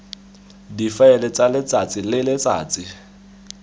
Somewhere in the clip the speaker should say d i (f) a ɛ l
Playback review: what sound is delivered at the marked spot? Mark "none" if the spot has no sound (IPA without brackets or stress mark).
f